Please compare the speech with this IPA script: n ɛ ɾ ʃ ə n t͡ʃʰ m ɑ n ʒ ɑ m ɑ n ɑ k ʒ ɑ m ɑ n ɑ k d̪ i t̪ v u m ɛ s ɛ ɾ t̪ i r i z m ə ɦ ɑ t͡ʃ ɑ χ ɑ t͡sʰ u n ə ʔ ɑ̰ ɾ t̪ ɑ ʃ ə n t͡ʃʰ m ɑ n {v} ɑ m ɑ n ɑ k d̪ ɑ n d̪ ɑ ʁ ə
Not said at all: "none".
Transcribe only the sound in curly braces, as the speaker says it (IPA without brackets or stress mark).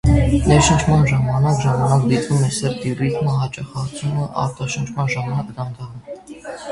ʒ